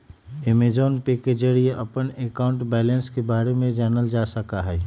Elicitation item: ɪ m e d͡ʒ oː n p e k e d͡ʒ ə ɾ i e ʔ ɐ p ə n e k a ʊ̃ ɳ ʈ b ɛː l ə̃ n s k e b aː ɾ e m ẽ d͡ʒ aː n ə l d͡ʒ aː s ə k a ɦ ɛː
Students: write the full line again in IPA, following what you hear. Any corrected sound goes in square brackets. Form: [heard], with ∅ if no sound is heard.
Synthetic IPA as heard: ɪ m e d͡ʒ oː n p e k e d͡ʒ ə ɾ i e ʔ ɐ p ə n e k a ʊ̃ ɳ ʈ b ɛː l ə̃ n s k e b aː ɾ e m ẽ d͡ʒ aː n ə l d͡ʒ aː s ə k a ɦ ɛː

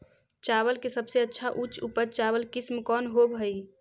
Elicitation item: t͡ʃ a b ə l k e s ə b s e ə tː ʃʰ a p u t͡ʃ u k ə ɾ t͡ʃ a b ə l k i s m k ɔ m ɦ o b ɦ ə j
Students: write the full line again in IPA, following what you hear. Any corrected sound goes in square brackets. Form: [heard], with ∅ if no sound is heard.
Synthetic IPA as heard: t͡ʃ a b ə l k e s ə b s e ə tː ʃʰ a [ʔ] u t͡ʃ u [p] ə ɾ t͡ʃ a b ə l k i s m k ɔ [n] ɦ o b ɦ ə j

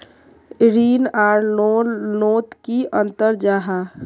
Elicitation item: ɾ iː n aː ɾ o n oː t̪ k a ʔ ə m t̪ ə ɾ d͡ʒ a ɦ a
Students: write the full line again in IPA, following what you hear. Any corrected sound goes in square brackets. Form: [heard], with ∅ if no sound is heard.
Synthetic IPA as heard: ɾ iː n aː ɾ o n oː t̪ k [i] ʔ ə [n] t̪ ə ɾ d͡ʒ a ɦ a

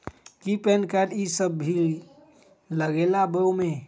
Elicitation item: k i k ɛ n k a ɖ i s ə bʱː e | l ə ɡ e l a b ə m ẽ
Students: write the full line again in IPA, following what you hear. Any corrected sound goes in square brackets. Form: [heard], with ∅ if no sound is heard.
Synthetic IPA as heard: k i [p] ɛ n k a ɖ i s ə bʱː [i] | l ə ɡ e l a b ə m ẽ

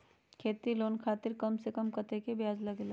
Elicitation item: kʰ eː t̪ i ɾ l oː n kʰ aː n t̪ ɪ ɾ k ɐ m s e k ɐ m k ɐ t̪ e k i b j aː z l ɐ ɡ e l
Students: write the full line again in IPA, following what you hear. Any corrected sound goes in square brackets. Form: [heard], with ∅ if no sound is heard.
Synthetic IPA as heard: kʰ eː t̪ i [∅] l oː n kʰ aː [∅] t̪ ɪ ɾ k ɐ m s e k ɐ m k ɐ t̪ e k [e] b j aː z l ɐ ɡ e l

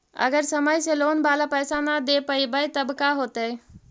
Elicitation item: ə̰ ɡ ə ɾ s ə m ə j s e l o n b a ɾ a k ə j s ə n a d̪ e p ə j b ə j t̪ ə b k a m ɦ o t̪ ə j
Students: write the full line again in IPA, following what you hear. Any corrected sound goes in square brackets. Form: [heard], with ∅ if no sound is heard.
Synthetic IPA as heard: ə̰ ɡ ə ɾ s ə m ə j s e l o n b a [l] a [p] ə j s [a] n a d̪ e p ə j b ə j t̪ ə b k a [∅] ɦ o t̪ ə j

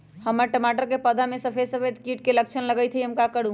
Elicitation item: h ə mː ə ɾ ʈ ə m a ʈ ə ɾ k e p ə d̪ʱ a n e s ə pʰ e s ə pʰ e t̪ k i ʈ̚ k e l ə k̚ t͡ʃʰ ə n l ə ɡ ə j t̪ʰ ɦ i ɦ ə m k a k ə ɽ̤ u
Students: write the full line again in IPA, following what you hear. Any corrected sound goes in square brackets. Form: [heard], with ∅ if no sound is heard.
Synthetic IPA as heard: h ə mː ə ɾ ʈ ə m a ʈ ə ɾ k e p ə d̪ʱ a [m] e s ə pʰ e s ə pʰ e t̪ k i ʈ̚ k e l ə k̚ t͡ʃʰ ə n l ə ɡ ə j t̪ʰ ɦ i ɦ ə m k a k ə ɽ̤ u

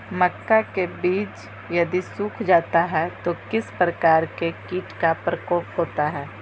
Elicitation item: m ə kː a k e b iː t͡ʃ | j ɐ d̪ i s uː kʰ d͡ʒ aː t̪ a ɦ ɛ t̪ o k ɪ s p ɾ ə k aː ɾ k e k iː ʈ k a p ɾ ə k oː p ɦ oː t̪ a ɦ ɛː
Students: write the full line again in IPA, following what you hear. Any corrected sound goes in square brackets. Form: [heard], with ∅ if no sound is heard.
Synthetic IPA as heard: m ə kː a k e b iː t͡ʃ | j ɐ d̪ i s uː kʰ d͡ʒ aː t̪ a ɦ ɛ t̪ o k ɪ s p ɾ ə k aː ɾ k e k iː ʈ k a p ɾ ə k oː p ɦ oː t̪ a ɦ ɛː

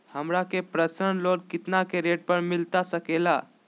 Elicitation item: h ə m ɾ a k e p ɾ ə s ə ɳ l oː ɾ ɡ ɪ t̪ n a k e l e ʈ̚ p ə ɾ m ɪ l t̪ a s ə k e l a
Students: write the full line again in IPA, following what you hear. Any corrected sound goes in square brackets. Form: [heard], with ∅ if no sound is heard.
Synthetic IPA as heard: h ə m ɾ a k e p ɾ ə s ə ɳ l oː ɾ [k] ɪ t̪ n a k e [ɾ] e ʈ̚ p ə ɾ m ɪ l t̪ a s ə k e l a

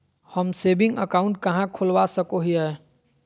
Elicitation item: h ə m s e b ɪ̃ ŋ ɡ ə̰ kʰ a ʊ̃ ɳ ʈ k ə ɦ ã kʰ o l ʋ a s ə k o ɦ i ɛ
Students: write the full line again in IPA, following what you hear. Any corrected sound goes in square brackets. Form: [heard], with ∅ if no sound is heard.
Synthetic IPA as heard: h ə m s e b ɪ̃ ŋ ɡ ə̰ [k] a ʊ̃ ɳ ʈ k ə ɦ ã kʰ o l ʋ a s ə k o ɦ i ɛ

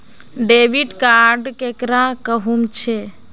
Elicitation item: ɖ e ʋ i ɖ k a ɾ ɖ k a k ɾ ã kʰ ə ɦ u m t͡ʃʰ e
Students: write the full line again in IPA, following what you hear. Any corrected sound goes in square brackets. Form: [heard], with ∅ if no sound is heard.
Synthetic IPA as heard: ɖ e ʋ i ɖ k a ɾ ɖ k [e] k ɾ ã [k] ə ɦ u m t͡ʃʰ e

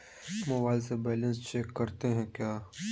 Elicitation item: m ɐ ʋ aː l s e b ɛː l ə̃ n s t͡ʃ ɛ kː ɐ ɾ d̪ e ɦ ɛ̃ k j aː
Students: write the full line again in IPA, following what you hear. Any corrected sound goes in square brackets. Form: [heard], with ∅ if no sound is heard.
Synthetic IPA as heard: m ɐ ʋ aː l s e b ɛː l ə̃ n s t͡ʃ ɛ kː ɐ ɾ [t̪] e ɦ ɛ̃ k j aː

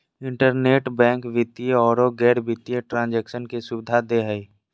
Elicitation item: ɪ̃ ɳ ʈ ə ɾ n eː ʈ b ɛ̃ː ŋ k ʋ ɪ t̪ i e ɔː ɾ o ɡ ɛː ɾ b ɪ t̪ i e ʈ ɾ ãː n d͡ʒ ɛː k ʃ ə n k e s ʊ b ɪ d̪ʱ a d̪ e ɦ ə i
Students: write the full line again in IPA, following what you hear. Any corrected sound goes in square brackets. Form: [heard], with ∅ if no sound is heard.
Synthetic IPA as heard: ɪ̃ ɳ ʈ ə ɾ n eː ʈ b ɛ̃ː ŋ k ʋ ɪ t̪ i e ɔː ɾ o ɡ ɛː ɾ b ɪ t̪ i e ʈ ɾ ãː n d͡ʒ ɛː k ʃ ə n k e s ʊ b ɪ d̪ʱ a d̪ e ɦ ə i

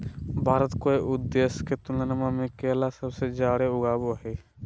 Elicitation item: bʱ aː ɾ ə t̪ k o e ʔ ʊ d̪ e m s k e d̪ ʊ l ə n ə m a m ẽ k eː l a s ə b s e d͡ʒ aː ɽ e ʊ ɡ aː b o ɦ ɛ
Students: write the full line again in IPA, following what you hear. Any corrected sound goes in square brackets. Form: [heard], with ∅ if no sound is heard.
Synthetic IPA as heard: bʱ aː ɾ ə t̪ k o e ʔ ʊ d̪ e [∅] s k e [t̪] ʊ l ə n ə m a m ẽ k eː l a s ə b s e d͡ʒ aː ɽ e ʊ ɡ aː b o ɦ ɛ

